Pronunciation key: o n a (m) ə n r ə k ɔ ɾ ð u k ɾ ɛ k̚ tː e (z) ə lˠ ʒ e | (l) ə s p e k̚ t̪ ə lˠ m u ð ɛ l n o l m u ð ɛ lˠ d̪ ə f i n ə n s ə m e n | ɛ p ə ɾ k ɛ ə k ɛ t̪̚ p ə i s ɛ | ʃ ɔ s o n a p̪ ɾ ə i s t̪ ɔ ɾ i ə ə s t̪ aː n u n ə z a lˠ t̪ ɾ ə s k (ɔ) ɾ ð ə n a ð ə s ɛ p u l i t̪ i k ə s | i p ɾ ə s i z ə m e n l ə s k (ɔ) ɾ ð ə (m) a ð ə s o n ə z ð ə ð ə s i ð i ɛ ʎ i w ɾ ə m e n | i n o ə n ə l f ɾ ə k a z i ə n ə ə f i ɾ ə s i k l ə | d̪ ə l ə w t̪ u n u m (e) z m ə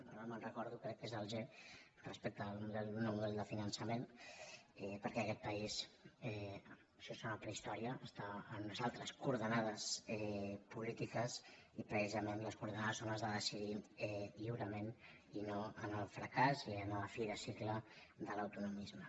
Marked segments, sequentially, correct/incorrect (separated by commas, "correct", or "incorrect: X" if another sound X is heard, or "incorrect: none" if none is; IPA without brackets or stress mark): correct, correct, incorrect: r, incorrect: u, incorrect: u, incorrect: n, incorrect: i